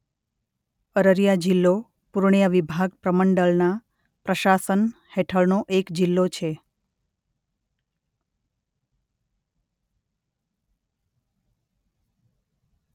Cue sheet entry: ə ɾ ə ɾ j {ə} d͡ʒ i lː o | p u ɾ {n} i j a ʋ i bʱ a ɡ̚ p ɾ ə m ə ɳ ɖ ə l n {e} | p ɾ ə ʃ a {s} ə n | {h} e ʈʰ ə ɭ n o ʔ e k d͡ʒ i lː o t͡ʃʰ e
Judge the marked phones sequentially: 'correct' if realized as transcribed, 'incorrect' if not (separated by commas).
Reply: incorrect, incorrect, incorrect, correct, correct